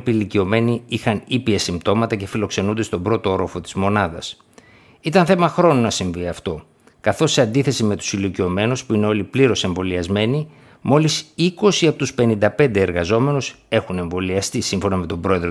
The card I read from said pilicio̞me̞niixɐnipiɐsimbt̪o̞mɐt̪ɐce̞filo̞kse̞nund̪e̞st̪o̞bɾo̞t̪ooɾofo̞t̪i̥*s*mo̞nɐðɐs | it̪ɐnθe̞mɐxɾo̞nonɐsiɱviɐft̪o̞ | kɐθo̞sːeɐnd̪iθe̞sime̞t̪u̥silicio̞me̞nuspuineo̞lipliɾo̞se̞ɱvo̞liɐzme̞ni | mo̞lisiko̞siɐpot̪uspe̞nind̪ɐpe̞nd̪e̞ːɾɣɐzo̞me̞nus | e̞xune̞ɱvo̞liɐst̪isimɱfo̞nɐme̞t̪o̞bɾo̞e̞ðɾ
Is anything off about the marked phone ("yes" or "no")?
yes